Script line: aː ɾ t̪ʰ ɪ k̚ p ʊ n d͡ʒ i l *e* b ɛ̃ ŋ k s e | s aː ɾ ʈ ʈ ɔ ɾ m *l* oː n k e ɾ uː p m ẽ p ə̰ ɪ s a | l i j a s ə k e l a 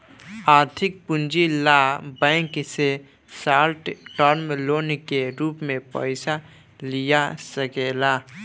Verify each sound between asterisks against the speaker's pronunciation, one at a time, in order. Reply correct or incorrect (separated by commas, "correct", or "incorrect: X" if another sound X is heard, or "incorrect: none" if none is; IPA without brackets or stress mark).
incorrect: a, correct